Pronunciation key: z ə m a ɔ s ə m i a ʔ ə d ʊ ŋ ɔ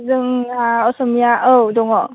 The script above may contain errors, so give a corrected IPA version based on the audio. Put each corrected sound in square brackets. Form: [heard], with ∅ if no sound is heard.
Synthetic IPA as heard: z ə [ŋ] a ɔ s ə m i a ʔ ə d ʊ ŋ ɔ